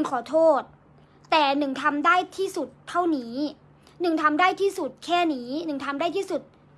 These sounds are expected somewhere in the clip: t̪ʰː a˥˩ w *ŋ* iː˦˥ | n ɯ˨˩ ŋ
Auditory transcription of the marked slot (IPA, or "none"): n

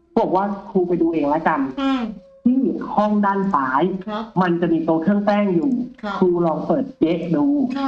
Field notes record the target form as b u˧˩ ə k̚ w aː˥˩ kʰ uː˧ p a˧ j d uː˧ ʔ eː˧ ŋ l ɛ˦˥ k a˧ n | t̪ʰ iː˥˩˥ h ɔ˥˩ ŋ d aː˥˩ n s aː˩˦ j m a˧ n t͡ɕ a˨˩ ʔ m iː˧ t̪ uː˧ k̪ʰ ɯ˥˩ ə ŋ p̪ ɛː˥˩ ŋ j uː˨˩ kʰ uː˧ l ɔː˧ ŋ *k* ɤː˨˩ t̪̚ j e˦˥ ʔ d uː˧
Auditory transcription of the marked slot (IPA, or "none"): p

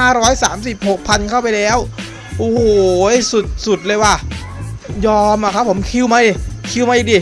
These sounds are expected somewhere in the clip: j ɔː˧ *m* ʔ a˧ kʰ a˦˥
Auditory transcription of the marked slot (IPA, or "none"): m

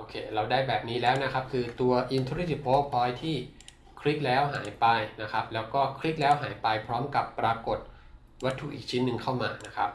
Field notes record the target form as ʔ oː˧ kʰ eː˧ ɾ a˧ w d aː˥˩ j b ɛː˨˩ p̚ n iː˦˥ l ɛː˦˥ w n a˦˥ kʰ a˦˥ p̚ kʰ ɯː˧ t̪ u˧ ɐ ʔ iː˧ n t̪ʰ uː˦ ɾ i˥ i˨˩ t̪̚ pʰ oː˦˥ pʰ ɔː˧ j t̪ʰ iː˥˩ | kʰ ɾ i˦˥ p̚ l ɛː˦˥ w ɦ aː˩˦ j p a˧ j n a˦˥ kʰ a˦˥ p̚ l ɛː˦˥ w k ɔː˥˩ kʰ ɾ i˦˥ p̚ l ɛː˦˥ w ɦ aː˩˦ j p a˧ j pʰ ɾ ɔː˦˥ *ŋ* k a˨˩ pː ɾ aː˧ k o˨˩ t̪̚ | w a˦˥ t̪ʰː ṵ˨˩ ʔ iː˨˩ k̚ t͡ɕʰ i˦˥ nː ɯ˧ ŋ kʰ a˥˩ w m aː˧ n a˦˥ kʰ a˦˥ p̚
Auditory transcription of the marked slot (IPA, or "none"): m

